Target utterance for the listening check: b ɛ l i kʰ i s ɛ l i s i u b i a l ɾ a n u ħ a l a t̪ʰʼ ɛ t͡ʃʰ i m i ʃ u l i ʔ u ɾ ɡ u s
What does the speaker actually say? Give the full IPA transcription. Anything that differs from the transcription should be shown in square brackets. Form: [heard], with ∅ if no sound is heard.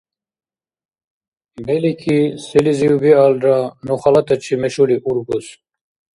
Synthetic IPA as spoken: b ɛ l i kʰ i s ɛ l i [z] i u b i a l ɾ a n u [χ] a l a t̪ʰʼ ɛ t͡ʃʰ i m [ɛ] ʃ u l i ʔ u ɾ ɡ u s

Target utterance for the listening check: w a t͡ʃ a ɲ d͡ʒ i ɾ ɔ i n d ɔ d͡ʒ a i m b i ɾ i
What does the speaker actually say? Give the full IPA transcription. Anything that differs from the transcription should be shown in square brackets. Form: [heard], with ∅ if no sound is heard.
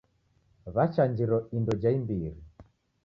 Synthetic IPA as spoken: [β] a t͡ʃ a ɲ d͡ʒ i ɾ ɔ i n d ɔ d͡ʒ a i m b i ɾ i

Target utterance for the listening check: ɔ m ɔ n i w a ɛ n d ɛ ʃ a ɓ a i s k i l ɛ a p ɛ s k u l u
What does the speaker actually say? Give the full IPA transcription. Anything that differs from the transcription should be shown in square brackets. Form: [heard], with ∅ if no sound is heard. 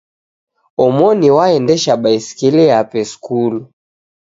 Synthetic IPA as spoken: ɔ m ɔ n i w a ɛ n d ɛ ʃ a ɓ a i s k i l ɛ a p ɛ s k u l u

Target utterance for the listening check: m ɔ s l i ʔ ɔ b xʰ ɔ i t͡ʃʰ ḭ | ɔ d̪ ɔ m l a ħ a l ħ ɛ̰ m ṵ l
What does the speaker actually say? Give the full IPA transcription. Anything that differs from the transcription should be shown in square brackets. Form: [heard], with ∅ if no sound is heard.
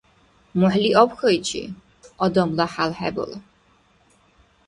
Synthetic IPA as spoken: m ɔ [ħ] l i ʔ ɔ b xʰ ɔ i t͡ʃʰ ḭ | ɔ d̪ ɔ m l a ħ a l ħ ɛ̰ [b] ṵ l

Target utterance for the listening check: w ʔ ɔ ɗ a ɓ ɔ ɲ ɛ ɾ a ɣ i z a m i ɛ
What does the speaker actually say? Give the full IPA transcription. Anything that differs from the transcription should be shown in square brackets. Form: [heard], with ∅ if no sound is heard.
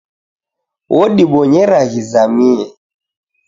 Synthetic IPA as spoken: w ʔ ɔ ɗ [i] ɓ ɔ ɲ ɛ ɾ a ɣ i z a m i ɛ

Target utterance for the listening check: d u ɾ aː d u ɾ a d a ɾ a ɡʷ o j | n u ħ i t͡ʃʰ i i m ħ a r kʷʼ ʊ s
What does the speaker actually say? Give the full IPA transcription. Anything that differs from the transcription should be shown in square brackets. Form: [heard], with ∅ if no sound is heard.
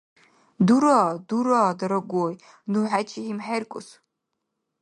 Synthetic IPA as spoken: d u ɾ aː d u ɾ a d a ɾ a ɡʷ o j | n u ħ [a] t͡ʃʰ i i m ħ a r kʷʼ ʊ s

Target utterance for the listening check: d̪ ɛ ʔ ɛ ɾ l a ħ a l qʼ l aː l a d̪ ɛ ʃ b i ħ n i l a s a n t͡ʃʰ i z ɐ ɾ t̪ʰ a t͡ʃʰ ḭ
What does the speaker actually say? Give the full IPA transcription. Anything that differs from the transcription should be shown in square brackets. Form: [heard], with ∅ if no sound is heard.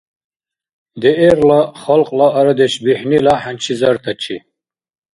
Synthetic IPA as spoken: d̪ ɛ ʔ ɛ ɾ l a [χ] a l qʼ l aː [ɾ] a d̪ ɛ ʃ b i ħ n i l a [ħ] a n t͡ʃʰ i z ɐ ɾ t̪ʰ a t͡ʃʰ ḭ

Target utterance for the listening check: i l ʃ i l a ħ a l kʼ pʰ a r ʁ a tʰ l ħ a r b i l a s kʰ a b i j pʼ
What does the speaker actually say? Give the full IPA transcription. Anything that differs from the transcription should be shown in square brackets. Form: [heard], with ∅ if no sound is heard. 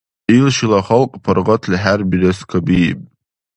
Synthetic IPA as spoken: i l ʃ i l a [χ] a l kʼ pʰ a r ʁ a tʰ l ħ a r b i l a s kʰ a b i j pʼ

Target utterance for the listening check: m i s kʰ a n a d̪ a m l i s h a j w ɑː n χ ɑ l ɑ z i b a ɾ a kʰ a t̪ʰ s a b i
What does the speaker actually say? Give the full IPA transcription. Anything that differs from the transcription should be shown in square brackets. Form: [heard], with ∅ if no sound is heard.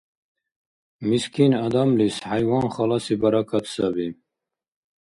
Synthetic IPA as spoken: m i s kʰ [i] n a d̪ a m l i s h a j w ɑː n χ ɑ l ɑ [s] i b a ɾ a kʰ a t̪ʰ s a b i

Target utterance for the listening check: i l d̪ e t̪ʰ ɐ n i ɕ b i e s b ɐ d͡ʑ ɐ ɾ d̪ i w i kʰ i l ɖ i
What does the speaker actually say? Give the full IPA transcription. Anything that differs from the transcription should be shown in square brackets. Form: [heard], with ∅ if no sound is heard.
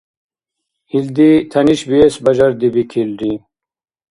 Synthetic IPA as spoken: i l d̪ [i] t̪ʰ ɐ n i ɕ b i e s b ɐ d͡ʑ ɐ ɾ d̪ i [b] i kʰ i l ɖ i

